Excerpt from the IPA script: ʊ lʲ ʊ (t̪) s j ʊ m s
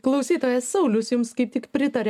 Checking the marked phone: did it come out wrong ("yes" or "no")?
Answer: yes